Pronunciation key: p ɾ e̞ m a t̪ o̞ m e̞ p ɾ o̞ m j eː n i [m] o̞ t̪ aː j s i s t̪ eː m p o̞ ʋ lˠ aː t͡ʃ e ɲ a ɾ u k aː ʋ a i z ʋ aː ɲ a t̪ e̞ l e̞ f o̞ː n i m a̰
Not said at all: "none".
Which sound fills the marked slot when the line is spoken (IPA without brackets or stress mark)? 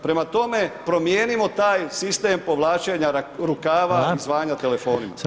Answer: m